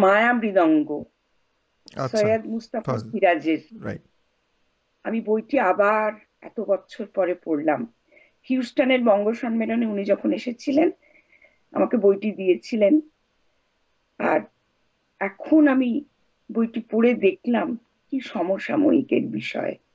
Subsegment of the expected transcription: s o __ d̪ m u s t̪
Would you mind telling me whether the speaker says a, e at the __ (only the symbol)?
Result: a